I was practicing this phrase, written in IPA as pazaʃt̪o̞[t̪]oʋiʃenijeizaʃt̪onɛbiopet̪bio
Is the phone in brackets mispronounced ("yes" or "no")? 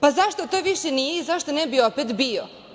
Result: no